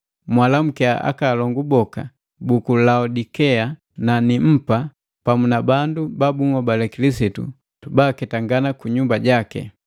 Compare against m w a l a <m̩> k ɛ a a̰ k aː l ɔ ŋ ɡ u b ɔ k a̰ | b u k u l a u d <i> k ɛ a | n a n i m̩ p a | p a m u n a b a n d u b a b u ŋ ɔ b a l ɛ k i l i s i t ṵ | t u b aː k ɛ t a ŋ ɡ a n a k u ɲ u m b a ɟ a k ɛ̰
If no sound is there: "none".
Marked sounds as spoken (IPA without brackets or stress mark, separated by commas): m̩, i